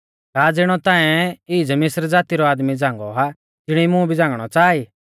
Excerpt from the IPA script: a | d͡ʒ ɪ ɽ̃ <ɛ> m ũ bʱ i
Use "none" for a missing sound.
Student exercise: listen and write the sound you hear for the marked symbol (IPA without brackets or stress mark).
i